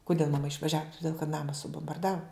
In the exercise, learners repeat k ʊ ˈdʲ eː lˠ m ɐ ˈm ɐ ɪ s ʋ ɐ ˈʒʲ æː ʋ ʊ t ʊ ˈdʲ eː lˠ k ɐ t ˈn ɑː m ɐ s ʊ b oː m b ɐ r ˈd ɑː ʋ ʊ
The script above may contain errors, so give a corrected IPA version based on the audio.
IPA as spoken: k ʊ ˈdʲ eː lˠ m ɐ ˈm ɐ ɪ ʃ ʋ ɐ ˈʒʲ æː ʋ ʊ t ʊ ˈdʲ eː lˠ k ɐ t ˈn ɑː m ɐ s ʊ b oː m b ɐ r ˈd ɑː ʋ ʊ